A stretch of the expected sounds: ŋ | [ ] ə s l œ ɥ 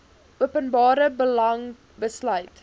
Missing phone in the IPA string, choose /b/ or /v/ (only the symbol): b